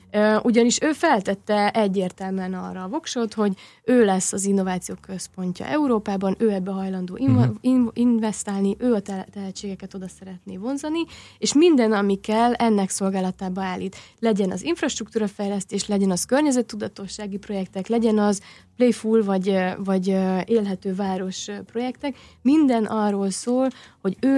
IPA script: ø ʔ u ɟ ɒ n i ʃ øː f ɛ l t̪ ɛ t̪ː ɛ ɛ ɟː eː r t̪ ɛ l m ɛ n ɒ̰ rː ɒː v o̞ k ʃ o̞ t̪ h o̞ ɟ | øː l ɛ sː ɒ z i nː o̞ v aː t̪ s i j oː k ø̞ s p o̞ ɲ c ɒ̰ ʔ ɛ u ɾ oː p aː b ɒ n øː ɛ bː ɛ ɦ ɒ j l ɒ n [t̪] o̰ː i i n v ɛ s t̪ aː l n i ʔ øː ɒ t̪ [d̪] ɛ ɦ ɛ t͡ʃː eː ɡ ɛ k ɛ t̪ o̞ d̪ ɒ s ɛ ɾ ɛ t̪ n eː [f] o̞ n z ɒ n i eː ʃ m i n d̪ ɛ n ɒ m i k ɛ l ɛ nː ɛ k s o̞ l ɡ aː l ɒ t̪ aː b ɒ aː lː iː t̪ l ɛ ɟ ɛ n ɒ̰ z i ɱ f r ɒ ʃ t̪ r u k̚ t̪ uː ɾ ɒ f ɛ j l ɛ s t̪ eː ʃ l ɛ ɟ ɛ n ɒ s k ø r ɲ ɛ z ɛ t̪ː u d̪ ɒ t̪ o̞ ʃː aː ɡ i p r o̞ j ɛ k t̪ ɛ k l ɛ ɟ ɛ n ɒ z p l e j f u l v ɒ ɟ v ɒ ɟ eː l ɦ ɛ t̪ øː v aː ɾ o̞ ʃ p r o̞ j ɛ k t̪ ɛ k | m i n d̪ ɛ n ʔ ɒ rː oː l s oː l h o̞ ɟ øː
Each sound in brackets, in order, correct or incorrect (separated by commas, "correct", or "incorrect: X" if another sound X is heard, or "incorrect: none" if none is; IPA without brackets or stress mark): incorrect: d̪, incorrect: t̪, incorrect: v